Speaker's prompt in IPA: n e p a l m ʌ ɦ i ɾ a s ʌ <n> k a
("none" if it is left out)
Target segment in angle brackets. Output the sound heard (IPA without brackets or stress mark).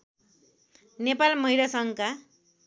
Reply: ŋ